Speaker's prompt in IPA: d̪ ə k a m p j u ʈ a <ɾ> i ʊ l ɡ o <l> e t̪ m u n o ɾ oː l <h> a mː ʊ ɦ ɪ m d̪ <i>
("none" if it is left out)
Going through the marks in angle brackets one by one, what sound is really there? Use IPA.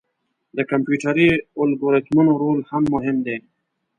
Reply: ɾ, ɾ, h, e

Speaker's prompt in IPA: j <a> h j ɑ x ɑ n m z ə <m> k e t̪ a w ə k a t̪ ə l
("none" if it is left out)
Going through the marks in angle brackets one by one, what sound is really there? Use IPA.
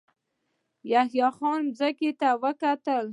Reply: a, none

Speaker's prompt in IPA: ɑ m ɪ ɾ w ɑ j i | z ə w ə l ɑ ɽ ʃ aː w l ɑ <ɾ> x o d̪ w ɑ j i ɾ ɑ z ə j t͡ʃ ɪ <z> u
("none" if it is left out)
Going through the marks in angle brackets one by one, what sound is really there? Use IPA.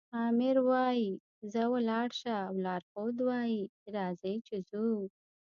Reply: ɾ, z

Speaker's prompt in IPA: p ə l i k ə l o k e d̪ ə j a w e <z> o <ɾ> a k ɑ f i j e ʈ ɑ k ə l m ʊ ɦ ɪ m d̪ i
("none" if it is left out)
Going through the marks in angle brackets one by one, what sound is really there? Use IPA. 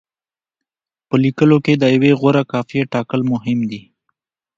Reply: ɣ, ɾ

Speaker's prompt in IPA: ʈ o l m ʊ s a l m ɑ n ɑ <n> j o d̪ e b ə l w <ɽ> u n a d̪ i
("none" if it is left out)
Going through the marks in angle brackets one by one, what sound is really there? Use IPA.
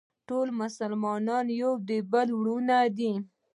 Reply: n, ɽ

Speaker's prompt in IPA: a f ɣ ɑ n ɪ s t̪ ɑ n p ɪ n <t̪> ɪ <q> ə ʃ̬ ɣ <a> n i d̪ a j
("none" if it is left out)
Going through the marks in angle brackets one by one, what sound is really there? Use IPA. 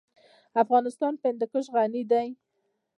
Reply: d̪, k, a

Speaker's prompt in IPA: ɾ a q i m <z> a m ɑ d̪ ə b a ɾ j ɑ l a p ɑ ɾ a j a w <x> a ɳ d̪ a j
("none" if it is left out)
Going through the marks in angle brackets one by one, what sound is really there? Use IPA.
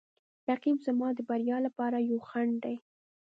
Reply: z, x

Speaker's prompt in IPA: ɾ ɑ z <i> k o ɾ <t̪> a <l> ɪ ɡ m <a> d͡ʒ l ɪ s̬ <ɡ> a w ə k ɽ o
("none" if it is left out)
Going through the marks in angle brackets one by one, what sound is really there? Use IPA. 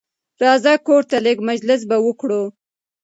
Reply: a, t̪, l, a, b

